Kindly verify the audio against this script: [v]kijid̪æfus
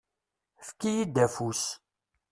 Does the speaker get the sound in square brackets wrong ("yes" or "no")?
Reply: yes